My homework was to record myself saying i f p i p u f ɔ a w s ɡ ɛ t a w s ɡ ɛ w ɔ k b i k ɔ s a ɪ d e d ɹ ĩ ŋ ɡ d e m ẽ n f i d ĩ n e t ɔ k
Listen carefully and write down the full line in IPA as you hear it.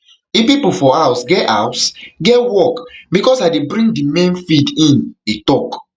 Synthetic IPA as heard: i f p i p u f ɔ a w s ɡ ɛ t a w s ɡ ɛ w ɔ k b i k ɔ s a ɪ d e b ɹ ĩ ŋ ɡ d i m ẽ n f i d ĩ n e t ɔ k

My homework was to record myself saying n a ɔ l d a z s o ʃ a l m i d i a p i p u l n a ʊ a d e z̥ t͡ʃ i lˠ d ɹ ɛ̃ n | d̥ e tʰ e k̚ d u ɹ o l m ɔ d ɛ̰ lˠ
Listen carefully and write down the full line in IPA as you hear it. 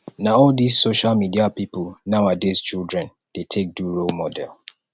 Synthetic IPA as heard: n a ɔ l d i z s o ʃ a l m i d i a p i p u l n a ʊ a d e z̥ t͡ʃ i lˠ d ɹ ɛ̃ n | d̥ e tʰ e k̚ d u ɹ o l m ɔ d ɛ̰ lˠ

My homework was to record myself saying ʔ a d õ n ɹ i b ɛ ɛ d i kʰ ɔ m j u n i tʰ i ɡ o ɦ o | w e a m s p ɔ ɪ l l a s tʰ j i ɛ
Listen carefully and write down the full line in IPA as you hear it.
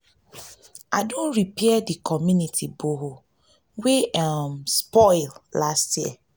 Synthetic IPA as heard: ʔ a d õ n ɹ i p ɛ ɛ d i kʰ ɔ m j u n i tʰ i b o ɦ o | w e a m s p ɔ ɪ l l a s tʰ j i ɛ

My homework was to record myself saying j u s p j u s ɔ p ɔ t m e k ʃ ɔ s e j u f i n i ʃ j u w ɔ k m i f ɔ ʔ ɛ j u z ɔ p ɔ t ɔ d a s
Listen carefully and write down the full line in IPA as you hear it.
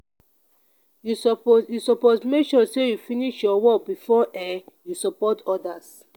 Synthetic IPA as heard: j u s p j u s ɔ p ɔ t m e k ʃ ɔ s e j u f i n i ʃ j ɔ w ɔ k b i f ɔ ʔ ɛ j u s ɔ p ɔ t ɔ d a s

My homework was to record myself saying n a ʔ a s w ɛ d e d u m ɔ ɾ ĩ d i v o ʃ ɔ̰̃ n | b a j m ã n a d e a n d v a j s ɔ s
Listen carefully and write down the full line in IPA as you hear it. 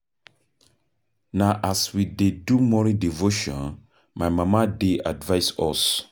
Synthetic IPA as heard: n a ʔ a s w i d e d u m ɔ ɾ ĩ d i v o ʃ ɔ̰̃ n | m a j m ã m a d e a d v a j s ɔ s

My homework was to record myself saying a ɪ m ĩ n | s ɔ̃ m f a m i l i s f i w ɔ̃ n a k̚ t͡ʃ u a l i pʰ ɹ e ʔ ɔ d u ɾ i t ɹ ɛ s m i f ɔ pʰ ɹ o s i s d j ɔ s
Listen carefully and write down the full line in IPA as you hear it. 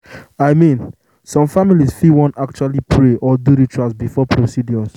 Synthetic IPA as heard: a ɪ m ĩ n | s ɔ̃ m f a m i l i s f i w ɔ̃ n a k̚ t͡ʃ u a l i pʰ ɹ e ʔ ɔ d u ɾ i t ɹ a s b i f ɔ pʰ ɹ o s i d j ɔ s

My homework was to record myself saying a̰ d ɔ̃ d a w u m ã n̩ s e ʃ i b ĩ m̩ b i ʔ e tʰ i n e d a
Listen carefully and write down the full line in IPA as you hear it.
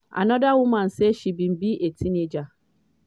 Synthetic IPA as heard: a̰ n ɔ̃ d a w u m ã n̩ s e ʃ i b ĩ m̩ b i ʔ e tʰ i n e d͡ʒ a

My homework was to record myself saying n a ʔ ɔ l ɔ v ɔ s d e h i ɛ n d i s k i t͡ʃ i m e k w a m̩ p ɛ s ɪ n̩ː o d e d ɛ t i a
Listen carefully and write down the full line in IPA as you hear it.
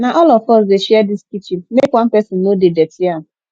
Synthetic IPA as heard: n a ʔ ɔ l ɔ f ɔ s d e ʃ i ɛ d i s k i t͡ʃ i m e k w a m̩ p ɛ s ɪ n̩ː o d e d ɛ t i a

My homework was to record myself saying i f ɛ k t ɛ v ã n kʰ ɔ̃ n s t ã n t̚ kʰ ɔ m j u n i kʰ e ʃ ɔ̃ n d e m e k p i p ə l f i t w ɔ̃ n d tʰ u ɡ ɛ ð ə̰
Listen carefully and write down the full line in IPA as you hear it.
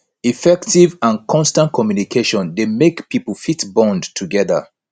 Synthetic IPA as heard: i f ɛ k t i v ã n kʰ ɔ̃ n s t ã n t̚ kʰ ɔ m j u n i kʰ e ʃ ɔ̃ n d e m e k p i p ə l f i t b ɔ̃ n d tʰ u ɡ ɛ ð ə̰

